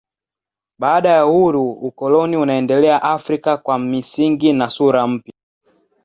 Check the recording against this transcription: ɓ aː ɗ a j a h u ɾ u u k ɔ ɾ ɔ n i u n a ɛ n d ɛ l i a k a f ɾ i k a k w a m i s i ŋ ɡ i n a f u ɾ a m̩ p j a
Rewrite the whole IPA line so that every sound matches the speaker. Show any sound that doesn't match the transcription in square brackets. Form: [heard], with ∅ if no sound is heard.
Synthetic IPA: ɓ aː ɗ a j a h u ɾ u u k ɔ [l] ɔ n i u n a ɛ n d ɛ l [ɛ] a [ʔ] a f ɾ i k a k w a m i s i ŋ ɡ i n a [s] u ɾ a m̩ p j a